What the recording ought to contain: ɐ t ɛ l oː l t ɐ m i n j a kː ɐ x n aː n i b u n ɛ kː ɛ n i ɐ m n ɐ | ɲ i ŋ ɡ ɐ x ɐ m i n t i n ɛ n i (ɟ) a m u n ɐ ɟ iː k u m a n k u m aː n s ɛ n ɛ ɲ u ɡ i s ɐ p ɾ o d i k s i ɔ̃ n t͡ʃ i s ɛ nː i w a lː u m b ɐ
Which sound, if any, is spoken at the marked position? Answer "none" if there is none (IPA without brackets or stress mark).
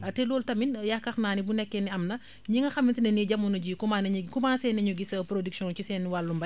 ɟ